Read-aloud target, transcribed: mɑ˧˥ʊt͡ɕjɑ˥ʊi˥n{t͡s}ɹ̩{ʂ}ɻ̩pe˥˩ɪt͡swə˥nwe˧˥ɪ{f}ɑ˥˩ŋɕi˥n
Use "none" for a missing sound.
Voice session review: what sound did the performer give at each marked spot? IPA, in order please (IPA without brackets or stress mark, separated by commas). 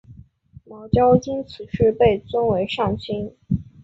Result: t͡sʰ, ʂ, ʂ